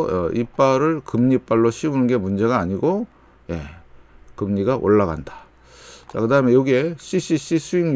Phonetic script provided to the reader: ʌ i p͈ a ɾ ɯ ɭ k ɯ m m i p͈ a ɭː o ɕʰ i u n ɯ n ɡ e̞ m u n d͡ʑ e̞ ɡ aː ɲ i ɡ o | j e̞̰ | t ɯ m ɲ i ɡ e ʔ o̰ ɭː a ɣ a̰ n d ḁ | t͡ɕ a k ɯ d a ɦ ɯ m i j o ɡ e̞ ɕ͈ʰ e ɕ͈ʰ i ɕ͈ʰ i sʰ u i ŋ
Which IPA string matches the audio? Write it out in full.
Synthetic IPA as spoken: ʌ i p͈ a ɾ ɯ ɭ k ɯ m ɲ i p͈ a ɭː o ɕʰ i u n ɯ n ɡ e̞ m u n d͡ʑ e̞ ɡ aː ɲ i ɡ o | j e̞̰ | k ɯ m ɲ i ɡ a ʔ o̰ ɭː a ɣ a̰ n d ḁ | t͡ɕ a k ɯ d a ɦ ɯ m e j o ɡ e̞ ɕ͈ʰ i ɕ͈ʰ i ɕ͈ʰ i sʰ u i ŋ

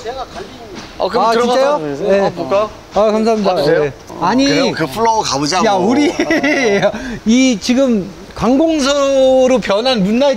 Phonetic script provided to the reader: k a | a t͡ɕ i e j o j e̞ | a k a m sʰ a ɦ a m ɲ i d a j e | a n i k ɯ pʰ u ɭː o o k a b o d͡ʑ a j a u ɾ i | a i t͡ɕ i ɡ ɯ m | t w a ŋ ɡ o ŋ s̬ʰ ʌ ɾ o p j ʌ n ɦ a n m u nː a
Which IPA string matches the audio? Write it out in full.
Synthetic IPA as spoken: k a | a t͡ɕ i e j o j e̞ | a k a m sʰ a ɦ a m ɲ i d a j e | a ɲ i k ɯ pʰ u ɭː o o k a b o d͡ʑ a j a u ɾ i | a i t͡ɕ i ɡ ɯ m | k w a ŋ ɡ o ŋ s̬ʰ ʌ ɾ o p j ʌ n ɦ a n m u nː a

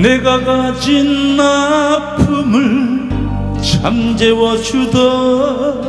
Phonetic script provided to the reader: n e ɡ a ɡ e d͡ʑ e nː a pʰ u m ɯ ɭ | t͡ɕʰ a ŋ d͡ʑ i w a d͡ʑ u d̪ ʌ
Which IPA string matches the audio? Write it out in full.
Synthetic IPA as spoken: n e ɡ a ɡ a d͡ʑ i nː a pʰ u m ɯ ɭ | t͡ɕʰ a m d͡ʑ e w ʌ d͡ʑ u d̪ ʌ

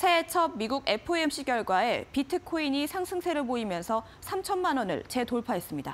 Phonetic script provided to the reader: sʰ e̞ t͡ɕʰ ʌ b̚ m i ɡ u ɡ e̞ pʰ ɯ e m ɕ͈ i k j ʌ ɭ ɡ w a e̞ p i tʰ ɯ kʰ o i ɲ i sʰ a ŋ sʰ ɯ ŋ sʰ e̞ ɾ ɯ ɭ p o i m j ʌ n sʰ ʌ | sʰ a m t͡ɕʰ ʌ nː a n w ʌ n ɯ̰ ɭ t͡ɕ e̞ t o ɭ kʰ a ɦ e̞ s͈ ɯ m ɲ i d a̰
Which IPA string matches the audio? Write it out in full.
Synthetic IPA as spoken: sʰ e̞ t͡ɕʰ ʌ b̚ m i ɡ u ɡ e̞ pʰ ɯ e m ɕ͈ i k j ʌ ɭ ɡ w a e̞ p i tʰ ɯ kʰ o i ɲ i sʰ a ŋ sʰ ɯ ŋ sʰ e̞ ɾ ɯ ɭ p o i m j ʌ n sʰ ʌ | sʰ a m t͡ɕʰ ʌ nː a n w ʌ n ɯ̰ ɭ t͡ɕ e̞ t o ɭ pʰ a ɦ e̞ s͈ ɯ m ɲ i d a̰

